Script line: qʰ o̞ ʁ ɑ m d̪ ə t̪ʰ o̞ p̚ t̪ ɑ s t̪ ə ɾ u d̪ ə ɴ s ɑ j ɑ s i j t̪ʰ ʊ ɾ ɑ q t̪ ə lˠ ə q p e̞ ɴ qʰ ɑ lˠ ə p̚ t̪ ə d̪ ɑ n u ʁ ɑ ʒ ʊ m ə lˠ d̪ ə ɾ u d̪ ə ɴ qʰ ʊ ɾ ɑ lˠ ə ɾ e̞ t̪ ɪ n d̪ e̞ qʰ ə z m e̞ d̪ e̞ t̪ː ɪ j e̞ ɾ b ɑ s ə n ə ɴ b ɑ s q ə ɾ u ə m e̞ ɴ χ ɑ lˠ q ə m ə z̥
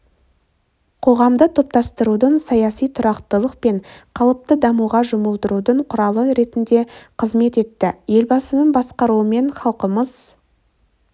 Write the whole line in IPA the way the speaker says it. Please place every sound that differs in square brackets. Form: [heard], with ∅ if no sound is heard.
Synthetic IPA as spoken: qʰ o̞ ʁ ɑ m d̪ ə t̪ʰ o̞ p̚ t̪ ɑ s t̪ ə ɾ u d̪ ə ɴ s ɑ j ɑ s i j t̪ʰ ʊ ɾ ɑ q t̪ ə lˠ ə q p e̞ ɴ qʰ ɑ lˠ ə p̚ t̪ ə d̪ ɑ [m] u ʁ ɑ ʒ ʊ m ə lˠ d̪ ə ɾ u d̪ ə ɴ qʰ ʊ ɾ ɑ lˠ ə ɾ e̞ t̪ ɪ n d̪ e̞ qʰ ə z m e̞ [t̪] e̞ t̪ː ɪ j e̞ [l] b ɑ s ə n ə ɴ b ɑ s q [ɑ] ɾ u ə m e̞ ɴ χ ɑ lˠ q ə m ə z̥